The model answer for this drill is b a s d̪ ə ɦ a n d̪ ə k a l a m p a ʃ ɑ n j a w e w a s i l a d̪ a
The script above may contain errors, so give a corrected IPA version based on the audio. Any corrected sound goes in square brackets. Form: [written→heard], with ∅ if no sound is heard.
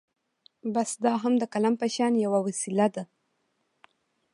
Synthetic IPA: b a s d̪ [ə→ɑ] ɦ a [n→m] d̪ ə k a l a m p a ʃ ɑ n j a w [e→a] w a s i l a d̪ a